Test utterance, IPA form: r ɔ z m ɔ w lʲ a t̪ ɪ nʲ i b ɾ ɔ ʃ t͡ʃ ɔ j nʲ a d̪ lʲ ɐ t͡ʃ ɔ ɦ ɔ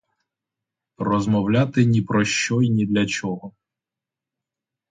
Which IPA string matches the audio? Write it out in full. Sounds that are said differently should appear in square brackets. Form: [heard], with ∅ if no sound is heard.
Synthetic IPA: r ɔ z m ɔ w lʲ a t̪ ɪ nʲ i [p] ɾ ɔ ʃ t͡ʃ ɔ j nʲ [i] d̪ lʲ ɐ t͡ʃ ɔ ɦ ɔ